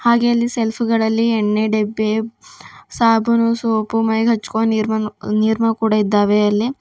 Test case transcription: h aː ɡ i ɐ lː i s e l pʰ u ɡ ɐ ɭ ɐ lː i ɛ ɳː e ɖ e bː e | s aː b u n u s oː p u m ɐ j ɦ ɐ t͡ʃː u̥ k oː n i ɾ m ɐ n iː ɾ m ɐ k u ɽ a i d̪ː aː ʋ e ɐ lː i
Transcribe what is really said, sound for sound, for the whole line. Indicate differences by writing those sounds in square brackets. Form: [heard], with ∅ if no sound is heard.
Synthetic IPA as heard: h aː ɡ [e] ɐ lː i s e l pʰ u ɡ ɐ ɭ ɐ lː i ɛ ɳː e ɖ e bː e | s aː b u n u s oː p u m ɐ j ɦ ɐ t͡ʃː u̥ k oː n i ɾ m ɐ n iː ɾ m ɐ k [uː] ɽ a i d̪ː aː ʋ e ɐ lː i